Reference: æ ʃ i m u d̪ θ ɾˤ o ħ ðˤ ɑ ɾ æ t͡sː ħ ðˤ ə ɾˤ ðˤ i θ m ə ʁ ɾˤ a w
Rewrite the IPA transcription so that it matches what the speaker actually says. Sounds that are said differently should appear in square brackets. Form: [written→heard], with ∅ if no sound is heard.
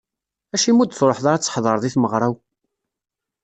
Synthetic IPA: æ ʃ i m u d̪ θ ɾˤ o ħ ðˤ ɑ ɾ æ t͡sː ħ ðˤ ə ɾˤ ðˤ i θ m ə ʁ ɾˤ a w